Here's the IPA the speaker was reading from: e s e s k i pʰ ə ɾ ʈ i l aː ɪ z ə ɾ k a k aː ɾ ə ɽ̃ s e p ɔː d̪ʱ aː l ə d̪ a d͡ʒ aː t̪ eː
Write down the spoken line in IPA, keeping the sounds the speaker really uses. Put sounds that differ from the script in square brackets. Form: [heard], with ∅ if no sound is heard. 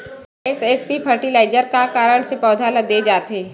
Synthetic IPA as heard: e s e s [p] i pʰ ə ɾ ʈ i l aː ɪ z ə ɾ k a k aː ɾ ə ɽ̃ s e p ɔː d̪ʱ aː l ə d̪ [e] d͡ʒ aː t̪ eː